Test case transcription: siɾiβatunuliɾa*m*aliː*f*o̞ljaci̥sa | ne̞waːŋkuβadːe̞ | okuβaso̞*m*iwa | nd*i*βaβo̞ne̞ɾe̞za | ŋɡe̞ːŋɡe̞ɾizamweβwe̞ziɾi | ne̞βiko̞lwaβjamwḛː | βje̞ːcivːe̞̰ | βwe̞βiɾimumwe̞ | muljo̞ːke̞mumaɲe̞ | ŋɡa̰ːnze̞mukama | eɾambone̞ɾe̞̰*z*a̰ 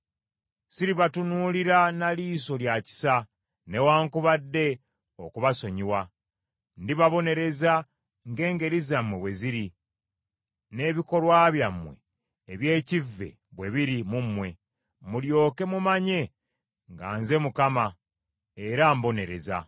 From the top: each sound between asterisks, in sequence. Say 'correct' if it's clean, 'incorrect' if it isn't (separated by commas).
incorrect, incorrect, incorrect, correct, correct